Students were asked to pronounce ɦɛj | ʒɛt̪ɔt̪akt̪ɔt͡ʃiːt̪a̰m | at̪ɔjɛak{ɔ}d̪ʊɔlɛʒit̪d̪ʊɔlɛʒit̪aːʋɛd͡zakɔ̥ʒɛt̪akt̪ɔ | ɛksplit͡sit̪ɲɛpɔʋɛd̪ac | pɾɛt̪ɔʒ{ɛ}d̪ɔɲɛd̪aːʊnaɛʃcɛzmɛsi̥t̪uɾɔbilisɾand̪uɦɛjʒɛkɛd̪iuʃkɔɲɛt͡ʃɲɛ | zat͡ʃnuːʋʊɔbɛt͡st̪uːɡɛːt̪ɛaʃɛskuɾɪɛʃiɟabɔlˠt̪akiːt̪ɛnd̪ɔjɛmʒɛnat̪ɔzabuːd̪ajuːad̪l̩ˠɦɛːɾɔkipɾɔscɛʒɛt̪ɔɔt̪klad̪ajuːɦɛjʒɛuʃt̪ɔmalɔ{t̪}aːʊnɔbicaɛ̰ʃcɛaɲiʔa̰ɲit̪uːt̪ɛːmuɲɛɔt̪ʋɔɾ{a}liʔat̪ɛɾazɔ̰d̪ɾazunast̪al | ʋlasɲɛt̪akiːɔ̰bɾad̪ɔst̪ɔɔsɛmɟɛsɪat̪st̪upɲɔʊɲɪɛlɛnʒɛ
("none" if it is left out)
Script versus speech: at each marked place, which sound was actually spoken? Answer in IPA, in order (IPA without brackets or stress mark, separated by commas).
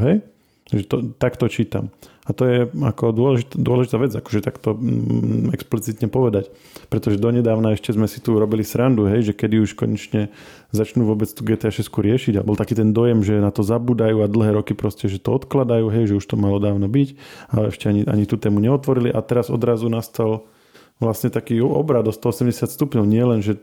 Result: ɔ, ɛ, d̪, i